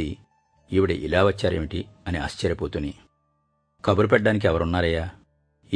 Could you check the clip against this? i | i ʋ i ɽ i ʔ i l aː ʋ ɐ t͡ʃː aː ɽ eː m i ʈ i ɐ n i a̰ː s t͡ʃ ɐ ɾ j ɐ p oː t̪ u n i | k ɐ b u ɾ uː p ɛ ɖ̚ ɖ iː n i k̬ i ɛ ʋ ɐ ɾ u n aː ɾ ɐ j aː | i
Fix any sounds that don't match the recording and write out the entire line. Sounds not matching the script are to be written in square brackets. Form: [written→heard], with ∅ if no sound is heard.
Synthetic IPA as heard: i | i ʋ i ɽ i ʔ i l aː ʋ ɐ t͡ʃː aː [ɽ→ɾ] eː m i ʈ i ɐ n i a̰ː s t͡ʃ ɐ ɾ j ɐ p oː t̪ u n i | k ɐ b u ɾ [uː→u] p ɛ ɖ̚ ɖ [iː→aː] n i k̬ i ɛ ʋ ɐ ɾ u [n→nː] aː ɾ ɐ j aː | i